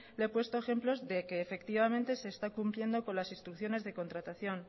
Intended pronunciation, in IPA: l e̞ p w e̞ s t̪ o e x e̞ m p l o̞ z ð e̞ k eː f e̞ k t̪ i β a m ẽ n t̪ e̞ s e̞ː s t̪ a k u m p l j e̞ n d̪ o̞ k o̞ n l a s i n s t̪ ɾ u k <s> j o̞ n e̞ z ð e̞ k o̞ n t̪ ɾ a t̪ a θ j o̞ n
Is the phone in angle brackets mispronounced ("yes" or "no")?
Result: yes